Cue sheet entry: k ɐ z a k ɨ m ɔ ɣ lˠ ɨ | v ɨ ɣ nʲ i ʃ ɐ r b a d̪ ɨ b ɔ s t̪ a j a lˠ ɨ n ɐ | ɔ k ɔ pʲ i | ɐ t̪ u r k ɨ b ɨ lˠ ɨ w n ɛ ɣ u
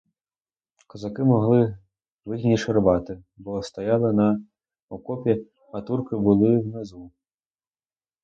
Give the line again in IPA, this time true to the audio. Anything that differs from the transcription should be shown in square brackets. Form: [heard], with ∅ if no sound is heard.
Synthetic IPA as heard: k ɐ z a k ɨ m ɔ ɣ lˠ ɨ | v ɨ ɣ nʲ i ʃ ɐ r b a [t̪] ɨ b ɔ s t̪ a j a lˠ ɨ n ɐ | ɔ k ɔ pʲ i | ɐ t̪ u r k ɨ b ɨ lˠ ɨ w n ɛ [z] u

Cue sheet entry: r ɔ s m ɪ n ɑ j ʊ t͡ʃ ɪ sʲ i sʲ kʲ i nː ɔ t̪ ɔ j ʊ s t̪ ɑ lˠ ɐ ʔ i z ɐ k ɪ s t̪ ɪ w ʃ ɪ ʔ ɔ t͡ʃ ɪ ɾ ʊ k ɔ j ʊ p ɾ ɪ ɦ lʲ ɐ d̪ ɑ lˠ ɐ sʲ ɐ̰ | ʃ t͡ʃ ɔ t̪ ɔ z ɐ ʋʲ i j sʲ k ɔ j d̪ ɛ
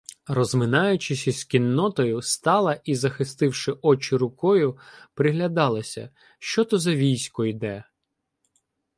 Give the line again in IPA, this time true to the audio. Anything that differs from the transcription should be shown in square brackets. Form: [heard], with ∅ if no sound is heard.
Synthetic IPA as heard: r ɔ [z] m ɪ n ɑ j ʊ t͡ʃ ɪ sʲ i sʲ kʲ i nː ɔ t̪ ɔ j ʊ s t̪ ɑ lˠ ɐ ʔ i z ɐ [x] ɪ s t̪ ɪ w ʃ ɪ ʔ ɔ t͡ʃ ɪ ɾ ʊ k ɔ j ʊ p ɾ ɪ ɦ lʲ ɐ d̪ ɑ lˠ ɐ sʲ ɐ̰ | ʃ t͡ʃ ɔ t̪ ɔ z ɐ ʋʲ i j sʲ k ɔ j d̪ ɛ

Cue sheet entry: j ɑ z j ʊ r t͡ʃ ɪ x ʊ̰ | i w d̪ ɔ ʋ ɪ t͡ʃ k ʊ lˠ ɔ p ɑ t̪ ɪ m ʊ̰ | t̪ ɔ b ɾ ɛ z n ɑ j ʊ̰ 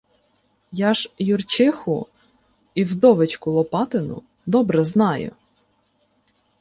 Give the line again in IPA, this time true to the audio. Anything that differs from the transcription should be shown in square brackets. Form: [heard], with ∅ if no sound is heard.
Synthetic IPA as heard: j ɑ [ʒ] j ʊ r t͡ʃ ɪ x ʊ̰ | i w d̪ ɔ ʋ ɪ t͡ʃ k ʊ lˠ ɔ p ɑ t̪ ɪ [n] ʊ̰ | [d̪] ɔ b ɾ ɛ z n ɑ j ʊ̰

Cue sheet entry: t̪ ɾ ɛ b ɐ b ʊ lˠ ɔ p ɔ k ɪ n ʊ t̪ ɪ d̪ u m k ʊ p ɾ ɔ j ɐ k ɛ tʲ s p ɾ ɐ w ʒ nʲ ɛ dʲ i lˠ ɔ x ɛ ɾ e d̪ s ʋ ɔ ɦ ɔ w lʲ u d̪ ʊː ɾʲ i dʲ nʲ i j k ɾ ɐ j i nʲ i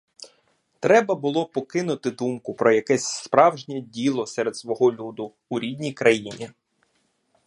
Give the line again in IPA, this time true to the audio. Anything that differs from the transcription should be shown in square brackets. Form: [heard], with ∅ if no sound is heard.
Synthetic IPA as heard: t̪ ɾ ɛ b ɐ b ʊ lˠ ɔ p ɔ k ɪ n ʊ t̪ ɪ d̪ u m k ʊ p ɾ ɔ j ɐ k ɛ [sʲ] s p ɾ [ɑ] w ʒ nʲ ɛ dʲ i lˠ ɔ [s] ɛ ɾ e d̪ s ʋ ɔ ɦ ɔ [∅] lʲ u d̪ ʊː ɾʲ i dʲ nʲ i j k ɾ ɐ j i nʲ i

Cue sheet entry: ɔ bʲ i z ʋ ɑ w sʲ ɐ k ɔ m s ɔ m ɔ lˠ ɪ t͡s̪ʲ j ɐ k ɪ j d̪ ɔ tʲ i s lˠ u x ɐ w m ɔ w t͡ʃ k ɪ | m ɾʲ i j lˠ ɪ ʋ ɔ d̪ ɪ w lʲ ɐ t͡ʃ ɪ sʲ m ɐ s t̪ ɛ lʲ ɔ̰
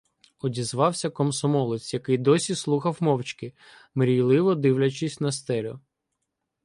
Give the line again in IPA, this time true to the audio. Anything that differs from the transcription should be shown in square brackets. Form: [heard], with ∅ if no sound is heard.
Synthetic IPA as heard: ɔ [dʲ] i z ʋ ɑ w sʲ ɐ k ɔ m s ɔ m ɔ lˠ ɪ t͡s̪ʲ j ɐ k ɪ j d̪ ɔ [sʲ] i s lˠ u x ɐ w m ɔ w t͡ʃ k ɪ | m ɾʲ i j lˠ ɪ ʋ ɔ d̪ ɪ w lʲ ɐ t͡ʃ ɪ sʲ [n] ɐ s t̪ ɛ lʲ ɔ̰

